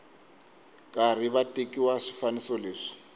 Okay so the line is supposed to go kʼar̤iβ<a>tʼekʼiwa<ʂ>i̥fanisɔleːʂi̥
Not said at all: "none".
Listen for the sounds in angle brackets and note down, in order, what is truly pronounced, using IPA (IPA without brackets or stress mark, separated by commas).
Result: a, ʂ